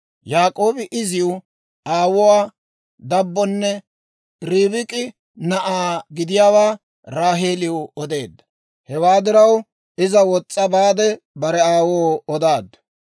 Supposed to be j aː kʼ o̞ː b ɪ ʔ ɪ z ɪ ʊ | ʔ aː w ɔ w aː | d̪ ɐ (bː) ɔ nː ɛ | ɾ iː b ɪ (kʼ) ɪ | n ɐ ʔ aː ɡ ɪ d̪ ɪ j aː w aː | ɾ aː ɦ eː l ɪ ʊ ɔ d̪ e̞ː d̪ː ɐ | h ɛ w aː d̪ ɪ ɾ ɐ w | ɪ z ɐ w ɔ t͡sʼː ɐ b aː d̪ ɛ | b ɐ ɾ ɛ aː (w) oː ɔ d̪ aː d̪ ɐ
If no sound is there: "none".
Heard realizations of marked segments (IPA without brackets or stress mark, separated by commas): bː, kʼ, w